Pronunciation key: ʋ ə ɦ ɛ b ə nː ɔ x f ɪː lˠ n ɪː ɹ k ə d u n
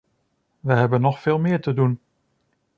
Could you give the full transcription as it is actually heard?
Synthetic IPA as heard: ʋ ə ɦ ɛ b ə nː ɔ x f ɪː lˠ m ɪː ɹ t ə d u n